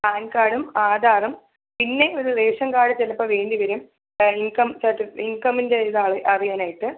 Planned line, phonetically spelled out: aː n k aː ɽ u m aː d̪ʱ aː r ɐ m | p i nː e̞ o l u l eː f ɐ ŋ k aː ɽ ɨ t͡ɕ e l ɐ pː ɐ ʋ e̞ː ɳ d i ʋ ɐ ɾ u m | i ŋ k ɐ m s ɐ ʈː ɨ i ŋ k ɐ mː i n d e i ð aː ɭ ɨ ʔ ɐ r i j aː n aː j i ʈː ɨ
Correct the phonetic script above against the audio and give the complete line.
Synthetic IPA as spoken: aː n k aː ɽ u m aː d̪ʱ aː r ɐ m | p i nː e̞ o ɾ u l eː ʂ ɐ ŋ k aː ɽ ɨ t͡ɕ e l ɐ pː ɐ ʋ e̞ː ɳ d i ʋ ɐ ɾ u m | i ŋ k ɐ m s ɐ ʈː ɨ i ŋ k ɐ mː i n d e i ð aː ɭ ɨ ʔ ɐ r i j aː n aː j i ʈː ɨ